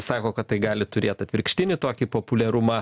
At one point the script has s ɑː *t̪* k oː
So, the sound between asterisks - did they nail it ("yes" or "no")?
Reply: no